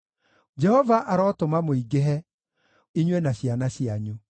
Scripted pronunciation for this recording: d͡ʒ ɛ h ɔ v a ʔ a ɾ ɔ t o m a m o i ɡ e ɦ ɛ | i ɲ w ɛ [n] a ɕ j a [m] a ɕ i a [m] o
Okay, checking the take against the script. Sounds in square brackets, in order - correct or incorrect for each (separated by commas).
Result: correct, incorrect, incorrect